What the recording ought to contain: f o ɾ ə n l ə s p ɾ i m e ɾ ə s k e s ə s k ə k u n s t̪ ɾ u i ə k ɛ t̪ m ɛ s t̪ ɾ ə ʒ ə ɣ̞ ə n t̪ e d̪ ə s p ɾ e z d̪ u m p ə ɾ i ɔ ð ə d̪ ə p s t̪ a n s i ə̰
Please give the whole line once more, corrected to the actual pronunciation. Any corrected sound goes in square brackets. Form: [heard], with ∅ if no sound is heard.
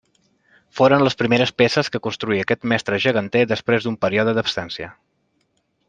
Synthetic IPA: f o ɾ ə n l ə s p ɾ i m e ɾ ə s [p] e s ə s k ə k u n s t̪ ɾ u i ə k ɛ t̪ m ɛ s t̪ ɾ ə ʒ ə ɣ̞ ə n t̪ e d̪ ə s p ɾ e z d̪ u m p ə ɾ i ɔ ð ə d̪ ə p s t̪ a n s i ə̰